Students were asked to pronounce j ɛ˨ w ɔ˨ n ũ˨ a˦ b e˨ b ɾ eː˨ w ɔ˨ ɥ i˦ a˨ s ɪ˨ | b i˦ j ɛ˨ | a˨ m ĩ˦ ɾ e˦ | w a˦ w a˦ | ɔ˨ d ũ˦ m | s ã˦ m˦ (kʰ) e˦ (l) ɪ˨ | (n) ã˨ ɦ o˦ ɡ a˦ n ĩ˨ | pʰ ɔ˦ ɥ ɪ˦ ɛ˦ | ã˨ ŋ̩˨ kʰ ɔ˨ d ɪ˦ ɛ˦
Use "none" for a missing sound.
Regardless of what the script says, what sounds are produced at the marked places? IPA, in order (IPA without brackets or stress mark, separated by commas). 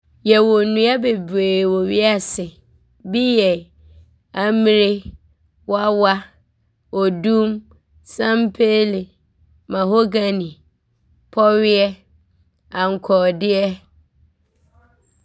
pʰ, l, m